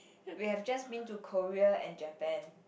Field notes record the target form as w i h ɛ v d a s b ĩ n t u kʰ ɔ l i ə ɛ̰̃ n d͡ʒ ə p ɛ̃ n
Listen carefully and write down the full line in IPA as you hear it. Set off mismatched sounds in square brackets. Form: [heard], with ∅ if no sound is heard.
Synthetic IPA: w i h ɛ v [d͡ʒ] a s b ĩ n t u kʰ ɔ [ɹ] i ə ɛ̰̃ n d͡ʒ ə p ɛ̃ n